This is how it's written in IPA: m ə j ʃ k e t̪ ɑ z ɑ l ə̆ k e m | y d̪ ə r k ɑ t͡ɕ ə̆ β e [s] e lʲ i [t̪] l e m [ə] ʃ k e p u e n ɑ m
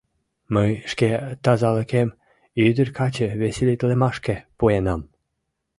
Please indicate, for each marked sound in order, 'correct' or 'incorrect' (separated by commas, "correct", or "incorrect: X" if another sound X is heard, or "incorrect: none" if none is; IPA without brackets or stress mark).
correct, correct, incorrect: ɑ